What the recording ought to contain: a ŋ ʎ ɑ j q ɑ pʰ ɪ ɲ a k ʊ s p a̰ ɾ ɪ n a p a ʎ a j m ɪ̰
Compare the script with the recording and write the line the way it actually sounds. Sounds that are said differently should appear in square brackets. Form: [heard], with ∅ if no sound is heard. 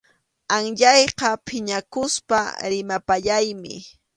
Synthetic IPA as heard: a ŋ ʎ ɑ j q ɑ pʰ ɪ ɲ a k ʊ s p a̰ ɾ ɪ [m] a p a ʎ a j m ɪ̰